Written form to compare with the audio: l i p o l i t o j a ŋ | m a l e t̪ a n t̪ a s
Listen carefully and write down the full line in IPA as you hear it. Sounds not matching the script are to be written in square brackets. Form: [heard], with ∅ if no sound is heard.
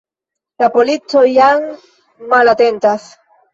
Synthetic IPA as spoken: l [a] p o l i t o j a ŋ | m a l [a] t̪ [e] n t̪ a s